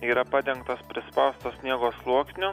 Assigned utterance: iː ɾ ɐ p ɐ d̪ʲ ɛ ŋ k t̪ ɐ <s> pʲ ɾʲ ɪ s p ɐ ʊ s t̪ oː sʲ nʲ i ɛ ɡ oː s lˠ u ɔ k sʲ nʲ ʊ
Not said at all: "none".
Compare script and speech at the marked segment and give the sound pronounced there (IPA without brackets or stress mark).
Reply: s